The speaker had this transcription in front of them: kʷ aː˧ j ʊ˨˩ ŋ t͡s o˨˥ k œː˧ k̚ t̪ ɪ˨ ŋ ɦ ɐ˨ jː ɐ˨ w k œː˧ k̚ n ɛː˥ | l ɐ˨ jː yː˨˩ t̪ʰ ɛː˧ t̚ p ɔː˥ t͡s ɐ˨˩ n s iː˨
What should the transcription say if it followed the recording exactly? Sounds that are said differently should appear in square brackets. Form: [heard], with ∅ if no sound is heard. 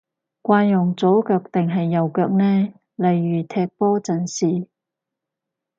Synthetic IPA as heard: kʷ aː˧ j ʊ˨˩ ŋ t͡s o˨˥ k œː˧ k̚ t̪ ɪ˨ ŋ ɦ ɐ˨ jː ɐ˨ w k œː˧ k̚ n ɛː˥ | l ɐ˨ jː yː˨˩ t̪ʰ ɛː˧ [k̚] p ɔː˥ t͡s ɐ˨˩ n s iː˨